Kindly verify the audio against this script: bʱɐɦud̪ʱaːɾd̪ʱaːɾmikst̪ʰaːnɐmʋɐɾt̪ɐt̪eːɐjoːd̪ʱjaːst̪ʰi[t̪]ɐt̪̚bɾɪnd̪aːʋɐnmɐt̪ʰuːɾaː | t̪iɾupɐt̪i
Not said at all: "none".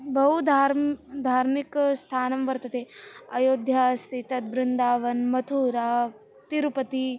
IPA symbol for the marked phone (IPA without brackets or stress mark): t̪